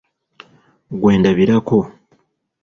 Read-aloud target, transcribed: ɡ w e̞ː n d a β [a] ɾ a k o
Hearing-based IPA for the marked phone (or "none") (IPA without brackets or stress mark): i